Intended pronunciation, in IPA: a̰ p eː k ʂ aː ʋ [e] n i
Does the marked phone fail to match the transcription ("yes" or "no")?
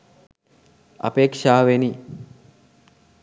no